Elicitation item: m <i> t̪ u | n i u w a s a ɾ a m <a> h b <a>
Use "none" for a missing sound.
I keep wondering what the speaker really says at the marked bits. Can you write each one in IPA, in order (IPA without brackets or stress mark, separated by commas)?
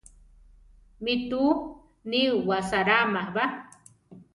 i, a, a